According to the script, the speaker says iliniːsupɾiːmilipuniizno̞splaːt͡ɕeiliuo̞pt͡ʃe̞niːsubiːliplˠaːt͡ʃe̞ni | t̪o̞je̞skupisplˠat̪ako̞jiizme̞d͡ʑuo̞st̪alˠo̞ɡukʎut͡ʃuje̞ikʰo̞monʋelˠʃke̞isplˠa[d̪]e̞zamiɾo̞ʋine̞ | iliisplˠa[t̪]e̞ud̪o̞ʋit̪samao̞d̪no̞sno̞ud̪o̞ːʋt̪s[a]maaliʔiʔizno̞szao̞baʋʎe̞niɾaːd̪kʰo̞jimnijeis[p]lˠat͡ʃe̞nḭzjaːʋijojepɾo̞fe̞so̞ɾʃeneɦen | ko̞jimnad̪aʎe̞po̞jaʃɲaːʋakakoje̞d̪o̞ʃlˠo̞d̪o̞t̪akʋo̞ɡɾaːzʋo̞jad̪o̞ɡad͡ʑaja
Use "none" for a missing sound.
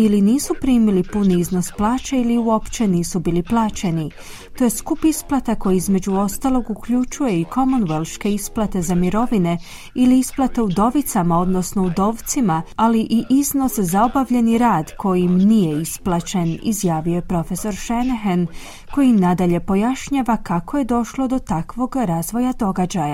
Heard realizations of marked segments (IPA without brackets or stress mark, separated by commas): t̪, t̪, i, p